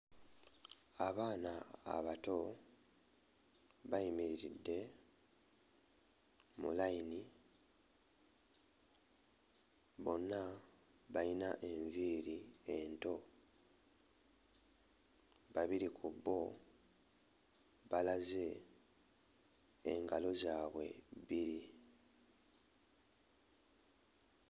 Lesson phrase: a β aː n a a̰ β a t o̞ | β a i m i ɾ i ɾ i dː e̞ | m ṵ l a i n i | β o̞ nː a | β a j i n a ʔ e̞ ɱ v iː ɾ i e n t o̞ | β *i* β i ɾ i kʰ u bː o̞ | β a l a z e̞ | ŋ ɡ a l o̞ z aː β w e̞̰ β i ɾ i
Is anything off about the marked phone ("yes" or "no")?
yes